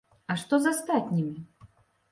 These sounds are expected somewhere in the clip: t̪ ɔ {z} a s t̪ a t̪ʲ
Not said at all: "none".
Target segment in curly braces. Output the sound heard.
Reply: z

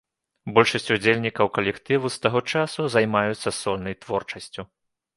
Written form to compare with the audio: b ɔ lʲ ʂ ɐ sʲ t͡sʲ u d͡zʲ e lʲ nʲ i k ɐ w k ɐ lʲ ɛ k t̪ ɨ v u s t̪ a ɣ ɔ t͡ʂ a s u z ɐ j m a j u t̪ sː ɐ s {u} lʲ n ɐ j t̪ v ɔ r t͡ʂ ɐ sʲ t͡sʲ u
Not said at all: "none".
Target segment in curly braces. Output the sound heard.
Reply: ɔ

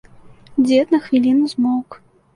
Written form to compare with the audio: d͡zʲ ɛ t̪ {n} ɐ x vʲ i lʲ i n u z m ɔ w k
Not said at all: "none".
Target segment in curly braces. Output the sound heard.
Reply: n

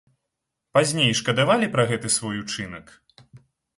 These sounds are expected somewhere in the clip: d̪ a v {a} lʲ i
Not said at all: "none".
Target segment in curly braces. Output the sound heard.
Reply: a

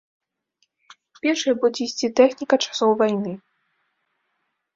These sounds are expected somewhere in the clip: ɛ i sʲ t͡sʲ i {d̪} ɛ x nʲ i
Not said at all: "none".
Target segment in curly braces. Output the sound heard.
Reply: t̪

